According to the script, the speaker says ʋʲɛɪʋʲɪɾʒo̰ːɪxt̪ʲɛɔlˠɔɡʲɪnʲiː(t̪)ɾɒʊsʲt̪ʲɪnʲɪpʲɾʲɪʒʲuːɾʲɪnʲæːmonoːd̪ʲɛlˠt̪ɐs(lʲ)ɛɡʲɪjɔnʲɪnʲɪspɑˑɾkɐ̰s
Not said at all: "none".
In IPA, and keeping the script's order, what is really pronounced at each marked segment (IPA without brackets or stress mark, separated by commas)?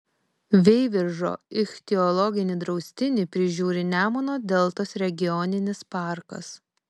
d̪, ɾʲ